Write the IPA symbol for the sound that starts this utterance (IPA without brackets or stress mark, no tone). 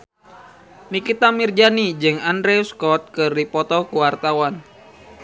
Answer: n